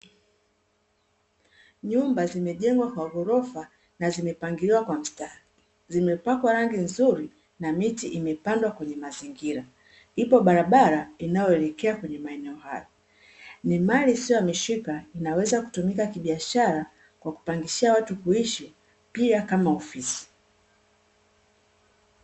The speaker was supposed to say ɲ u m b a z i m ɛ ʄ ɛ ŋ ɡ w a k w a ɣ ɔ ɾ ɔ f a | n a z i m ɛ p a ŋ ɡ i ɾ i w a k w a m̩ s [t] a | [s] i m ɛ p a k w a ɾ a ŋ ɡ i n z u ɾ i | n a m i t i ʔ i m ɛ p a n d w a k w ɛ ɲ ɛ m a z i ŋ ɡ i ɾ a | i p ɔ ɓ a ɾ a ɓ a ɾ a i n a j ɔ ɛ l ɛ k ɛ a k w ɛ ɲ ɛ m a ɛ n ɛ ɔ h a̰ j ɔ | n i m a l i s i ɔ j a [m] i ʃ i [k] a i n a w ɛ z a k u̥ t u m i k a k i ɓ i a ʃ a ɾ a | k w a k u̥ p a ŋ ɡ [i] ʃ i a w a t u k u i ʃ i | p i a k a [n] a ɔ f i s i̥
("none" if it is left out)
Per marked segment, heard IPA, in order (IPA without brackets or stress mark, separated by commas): t, z, m, k, i, m